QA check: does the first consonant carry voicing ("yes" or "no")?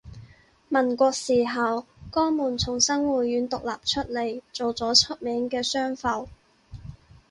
yes